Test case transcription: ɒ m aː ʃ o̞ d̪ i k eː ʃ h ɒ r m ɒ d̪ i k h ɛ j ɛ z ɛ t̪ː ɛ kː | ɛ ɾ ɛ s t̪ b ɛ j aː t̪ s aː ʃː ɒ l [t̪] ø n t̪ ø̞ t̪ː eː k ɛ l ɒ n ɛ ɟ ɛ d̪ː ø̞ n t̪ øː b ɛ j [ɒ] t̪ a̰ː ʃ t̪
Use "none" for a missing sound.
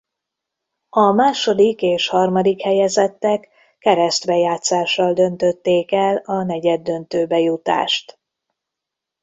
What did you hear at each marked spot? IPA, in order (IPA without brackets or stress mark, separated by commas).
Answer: d̪, u